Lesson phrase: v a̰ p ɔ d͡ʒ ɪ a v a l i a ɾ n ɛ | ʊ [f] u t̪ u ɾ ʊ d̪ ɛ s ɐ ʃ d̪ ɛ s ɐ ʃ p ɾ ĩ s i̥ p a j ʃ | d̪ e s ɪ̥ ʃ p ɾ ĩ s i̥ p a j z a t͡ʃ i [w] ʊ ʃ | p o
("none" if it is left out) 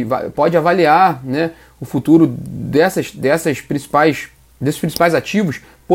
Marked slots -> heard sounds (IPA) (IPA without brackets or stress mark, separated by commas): f, v